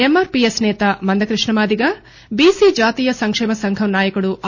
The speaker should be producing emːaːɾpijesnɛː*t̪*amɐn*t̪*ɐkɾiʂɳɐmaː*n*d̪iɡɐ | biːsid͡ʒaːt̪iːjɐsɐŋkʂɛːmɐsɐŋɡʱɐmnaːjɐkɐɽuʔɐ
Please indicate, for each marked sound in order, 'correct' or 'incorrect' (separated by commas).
correct, incorrect, incorrect